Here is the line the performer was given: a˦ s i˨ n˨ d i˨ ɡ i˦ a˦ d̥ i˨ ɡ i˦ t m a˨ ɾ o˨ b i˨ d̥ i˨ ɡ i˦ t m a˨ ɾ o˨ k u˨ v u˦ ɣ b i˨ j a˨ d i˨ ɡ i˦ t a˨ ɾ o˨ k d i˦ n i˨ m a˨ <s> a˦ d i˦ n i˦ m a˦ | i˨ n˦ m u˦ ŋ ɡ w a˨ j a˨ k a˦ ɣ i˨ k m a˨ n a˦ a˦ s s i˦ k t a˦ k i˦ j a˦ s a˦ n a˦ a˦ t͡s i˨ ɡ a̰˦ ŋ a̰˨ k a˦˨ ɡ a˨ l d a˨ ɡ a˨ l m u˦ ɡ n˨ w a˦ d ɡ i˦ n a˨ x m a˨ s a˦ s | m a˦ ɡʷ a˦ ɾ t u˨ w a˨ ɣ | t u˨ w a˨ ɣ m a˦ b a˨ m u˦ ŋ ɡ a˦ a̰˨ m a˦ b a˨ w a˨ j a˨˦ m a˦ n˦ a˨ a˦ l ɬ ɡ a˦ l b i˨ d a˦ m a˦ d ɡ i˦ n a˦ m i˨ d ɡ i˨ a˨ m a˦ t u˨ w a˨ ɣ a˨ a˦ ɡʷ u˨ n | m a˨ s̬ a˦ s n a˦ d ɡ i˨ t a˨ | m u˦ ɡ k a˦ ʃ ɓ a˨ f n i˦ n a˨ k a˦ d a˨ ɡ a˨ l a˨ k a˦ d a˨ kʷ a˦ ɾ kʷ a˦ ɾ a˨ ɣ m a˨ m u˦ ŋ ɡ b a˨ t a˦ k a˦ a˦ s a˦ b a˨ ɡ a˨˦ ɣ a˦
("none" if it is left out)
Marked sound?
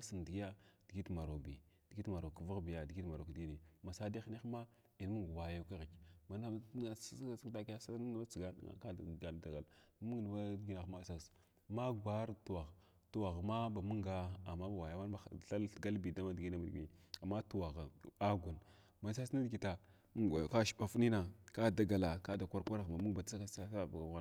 s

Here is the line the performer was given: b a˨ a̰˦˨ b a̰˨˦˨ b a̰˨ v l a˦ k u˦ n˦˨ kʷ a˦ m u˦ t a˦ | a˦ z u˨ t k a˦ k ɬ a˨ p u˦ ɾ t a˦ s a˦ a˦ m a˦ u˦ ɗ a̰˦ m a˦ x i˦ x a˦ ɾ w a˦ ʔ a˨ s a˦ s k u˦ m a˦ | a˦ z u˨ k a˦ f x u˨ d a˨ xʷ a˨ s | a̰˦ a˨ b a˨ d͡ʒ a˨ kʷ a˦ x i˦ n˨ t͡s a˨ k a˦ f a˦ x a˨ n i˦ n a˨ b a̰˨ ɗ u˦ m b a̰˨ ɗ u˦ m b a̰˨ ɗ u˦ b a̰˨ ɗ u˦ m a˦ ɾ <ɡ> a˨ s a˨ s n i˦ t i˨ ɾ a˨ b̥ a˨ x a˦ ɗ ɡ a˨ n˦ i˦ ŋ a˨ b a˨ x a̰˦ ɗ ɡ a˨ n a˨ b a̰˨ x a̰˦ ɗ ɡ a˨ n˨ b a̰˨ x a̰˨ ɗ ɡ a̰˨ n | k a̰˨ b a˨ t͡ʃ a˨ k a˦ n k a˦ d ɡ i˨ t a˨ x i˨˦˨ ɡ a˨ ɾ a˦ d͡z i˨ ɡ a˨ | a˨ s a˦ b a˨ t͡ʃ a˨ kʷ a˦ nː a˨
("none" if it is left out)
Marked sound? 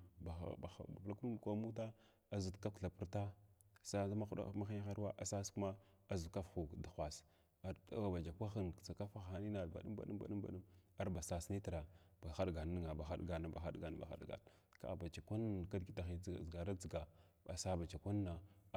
b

